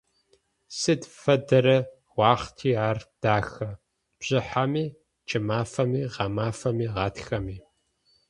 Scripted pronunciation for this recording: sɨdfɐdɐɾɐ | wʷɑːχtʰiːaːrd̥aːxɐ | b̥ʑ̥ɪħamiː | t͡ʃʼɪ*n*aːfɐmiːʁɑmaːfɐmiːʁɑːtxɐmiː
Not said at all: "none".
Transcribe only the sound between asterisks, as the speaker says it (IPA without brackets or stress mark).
m